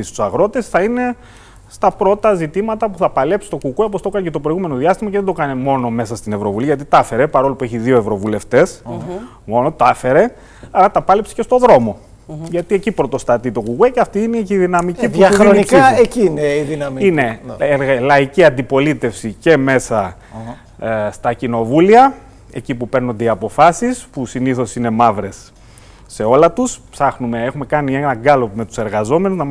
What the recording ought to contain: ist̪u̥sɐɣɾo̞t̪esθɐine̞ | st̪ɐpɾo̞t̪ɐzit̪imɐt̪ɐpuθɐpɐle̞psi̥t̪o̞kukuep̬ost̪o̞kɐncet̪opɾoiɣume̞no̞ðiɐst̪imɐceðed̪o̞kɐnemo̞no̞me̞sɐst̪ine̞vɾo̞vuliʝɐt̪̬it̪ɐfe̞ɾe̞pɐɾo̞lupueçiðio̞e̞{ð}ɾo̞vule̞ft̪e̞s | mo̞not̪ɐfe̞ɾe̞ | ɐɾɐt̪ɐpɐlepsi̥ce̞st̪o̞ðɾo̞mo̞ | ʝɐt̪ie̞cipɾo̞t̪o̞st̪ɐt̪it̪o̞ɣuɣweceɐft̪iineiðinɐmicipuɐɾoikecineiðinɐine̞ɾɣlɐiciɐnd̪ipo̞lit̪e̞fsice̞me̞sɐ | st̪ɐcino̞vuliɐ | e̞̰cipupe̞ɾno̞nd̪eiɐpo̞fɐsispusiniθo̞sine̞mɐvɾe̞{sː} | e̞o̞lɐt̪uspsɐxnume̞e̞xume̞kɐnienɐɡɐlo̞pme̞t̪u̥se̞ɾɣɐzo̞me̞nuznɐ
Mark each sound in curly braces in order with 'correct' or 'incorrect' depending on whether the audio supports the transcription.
incorrect, correct

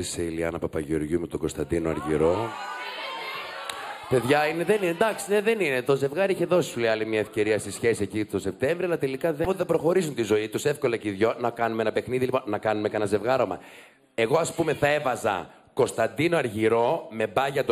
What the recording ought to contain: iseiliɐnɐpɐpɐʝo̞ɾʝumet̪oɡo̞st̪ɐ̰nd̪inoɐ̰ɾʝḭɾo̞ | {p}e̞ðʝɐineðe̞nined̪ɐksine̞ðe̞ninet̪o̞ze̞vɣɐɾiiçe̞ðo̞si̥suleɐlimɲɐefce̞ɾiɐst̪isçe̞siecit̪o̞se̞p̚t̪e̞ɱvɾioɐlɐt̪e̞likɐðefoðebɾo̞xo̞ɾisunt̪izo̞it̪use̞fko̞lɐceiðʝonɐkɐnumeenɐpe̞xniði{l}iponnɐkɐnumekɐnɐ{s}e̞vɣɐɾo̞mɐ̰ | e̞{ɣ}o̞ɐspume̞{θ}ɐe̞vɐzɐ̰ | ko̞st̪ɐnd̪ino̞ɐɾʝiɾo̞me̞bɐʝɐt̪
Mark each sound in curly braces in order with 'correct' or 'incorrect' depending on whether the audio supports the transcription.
correct, correct, incorrect, correct, correct

